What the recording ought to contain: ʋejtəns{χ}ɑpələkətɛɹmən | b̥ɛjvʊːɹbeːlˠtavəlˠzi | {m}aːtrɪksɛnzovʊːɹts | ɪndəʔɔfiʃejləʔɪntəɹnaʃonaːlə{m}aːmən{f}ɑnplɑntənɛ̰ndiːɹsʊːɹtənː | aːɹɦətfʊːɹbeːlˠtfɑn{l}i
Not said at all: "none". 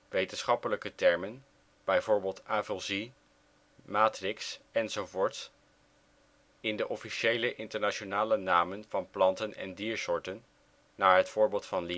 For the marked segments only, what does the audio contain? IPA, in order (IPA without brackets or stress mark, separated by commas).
χ, m, n, v, l